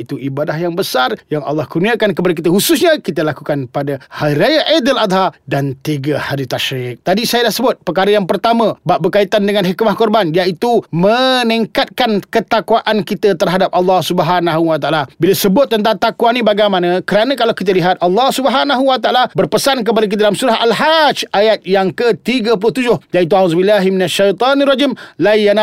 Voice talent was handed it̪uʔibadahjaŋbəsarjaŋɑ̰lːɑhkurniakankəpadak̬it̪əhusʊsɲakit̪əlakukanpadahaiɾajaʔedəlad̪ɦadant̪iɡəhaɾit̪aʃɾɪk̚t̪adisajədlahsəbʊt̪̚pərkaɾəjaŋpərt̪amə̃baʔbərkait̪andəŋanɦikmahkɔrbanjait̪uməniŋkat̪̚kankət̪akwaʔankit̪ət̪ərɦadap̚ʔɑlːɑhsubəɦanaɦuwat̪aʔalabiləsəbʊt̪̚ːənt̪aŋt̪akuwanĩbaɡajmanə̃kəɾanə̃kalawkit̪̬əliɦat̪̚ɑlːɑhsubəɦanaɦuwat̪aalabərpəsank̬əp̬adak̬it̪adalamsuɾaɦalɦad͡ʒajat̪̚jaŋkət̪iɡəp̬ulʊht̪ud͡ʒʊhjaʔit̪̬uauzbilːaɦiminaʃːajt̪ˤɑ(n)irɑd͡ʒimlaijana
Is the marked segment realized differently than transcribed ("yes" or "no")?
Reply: no